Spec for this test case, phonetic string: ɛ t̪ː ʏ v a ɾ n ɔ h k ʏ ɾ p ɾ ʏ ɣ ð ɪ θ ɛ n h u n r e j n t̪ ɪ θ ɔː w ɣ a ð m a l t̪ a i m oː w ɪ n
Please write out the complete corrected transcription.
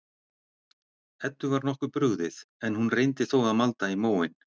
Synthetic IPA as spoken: ɛ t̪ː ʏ v a ɾ n ɔ h k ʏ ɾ p ɾ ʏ ɣ ð ɪ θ ɛ n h u n r e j n t̪ ɪ θ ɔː w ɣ a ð m a l t̪ a i m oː w ɪ n